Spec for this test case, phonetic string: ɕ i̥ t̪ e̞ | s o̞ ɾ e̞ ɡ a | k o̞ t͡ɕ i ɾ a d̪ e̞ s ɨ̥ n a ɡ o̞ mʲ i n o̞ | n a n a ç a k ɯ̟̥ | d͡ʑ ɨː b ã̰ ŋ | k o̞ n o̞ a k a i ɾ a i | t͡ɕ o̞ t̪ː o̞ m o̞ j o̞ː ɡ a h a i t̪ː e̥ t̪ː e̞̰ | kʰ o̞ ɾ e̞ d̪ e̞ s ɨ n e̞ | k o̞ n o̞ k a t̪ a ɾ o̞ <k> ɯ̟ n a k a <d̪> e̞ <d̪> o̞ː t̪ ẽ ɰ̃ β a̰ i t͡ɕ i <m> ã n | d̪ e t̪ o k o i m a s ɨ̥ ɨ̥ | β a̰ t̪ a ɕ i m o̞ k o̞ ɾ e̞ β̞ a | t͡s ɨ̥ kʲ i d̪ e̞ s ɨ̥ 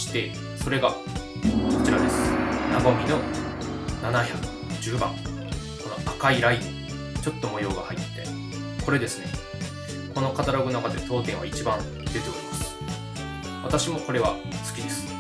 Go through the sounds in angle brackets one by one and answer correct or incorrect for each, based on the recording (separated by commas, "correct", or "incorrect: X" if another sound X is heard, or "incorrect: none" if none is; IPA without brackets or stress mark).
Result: incorrect: ɡ, correct, incorrect: t̪, incorrect: b